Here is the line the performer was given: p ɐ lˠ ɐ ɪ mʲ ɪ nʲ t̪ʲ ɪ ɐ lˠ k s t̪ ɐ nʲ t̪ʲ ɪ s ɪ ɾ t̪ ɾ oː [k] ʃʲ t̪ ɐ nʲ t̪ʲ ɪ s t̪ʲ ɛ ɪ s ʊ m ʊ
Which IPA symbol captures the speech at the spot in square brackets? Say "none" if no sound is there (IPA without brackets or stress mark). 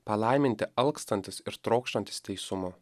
k